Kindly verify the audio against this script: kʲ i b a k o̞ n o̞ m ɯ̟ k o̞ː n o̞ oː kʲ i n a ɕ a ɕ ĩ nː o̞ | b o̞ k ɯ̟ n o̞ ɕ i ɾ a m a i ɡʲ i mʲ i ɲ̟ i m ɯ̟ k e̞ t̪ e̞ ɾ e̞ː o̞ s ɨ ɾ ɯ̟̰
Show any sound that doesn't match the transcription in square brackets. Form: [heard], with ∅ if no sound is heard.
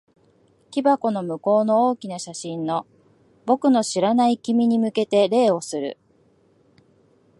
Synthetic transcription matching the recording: kʲ i b a k o̞ n o̞ m ɯ̟ k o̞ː n o̞ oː kʲ i n a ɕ a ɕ ĩ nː o̞ | b o̞ k ɯ̟ n o̞ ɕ i ɾ a [n] a i [kʲ] i mʲ i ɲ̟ i m ɯ̟ k e̞ t̪ e̞ ɾ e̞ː o̞ s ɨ ɾ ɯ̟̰

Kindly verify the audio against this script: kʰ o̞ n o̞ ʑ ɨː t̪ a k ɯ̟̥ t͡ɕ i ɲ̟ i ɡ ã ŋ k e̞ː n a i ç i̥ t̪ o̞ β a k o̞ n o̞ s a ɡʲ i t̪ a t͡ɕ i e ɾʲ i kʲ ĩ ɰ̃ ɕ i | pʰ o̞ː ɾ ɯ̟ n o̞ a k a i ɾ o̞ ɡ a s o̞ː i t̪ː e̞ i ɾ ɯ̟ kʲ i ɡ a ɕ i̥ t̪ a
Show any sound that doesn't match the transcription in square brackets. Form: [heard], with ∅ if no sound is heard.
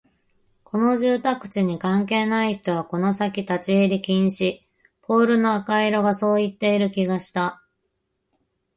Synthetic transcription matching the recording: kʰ o̞ n o̞ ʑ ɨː t̪ a k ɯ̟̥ t͡ɕ i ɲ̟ i [k] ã ŋ k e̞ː n a i ç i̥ t̪ o̞ β a k o̞ n o̞ s a [kʲ] i t̪ a t͡ɕ i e ɾʲ i kʲ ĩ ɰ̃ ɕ i | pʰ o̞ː ɾ ɯ̟ n o̞ a k a i ɾ o̞ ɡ a s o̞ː i t̪ː e̞ i ɾ ɯ̟ kʲ i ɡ a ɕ i̥ t̪ a

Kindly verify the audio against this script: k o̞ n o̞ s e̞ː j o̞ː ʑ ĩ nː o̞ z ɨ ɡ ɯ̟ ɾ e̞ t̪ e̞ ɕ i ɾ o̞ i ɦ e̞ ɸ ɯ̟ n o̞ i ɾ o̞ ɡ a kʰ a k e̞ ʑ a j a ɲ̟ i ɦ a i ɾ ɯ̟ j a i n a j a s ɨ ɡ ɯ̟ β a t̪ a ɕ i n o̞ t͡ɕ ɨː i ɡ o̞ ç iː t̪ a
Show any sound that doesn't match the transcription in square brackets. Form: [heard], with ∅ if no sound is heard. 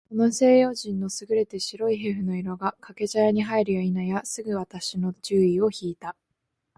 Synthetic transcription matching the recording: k o̞ n o̞ s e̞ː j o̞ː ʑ ĩ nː o̞ [s] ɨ ɡ ɯ̟ ɾ e̞ t̪ e̞ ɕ i ɾ o̞ i ɦ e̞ ɸ ɯ̟ n o̞ i ɾ o̞ ɡ a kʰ a k e̞ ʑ a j a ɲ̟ i ɦ a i ɾ ɯ̟ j a i n a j a s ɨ ɡ ɯ̟ β a t̪ a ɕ i n o̞ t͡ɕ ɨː i [∅] o̞ ç iː t̪ a

